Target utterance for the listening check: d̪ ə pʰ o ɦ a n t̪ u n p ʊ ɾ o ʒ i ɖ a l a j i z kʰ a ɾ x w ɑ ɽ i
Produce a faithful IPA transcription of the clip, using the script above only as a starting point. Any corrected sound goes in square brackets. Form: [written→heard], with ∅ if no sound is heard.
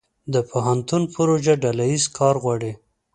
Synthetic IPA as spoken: d̪ ə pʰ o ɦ a n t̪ u n p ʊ ɾ o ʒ [i→a] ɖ a l a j i z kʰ [a→ɑ] ɾ [x→ɣ] w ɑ ɽ i